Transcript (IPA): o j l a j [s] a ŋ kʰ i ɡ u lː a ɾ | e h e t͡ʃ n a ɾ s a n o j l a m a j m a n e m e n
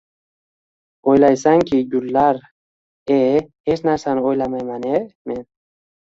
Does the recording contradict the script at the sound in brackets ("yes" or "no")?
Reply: no